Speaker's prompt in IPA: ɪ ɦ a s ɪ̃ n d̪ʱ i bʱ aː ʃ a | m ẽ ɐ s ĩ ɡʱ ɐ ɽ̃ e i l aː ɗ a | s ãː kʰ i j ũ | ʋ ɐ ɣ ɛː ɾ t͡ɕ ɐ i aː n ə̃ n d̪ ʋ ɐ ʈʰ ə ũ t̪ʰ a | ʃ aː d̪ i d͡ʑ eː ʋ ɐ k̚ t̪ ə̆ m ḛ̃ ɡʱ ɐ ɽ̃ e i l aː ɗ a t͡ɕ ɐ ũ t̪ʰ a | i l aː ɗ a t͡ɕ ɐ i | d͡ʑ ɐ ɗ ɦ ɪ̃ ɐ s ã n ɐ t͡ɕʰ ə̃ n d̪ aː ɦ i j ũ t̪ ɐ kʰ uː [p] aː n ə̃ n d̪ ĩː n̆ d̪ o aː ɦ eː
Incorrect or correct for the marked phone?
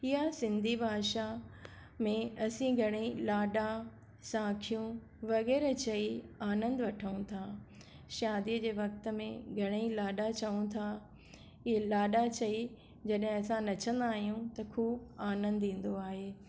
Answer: incorrect: b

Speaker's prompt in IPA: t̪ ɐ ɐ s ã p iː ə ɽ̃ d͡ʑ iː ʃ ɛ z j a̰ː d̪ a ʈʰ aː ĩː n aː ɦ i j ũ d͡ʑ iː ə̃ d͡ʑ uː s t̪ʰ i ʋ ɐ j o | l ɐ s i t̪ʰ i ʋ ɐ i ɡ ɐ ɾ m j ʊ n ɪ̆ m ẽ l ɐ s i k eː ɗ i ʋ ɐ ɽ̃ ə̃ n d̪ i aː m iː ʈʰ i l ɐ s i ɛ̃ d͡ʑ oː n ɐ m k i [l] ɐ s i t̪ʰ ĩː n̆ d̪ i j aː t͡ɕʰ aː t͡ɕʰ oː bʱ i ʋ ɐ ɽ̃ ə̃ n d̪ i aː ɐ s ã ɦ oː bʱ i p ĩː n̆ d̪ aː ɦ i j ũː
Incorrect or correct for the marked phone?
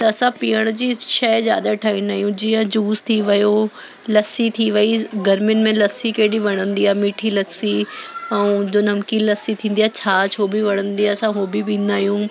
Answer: correct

